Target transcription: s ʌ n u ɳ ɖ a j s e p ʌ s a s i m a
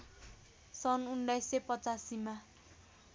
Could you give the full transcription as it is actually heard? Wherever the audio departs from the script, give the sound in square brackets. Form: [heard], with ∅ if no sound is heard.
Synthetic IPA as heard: s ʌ n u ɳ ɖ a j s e p ʌ [t͡s] a s i m a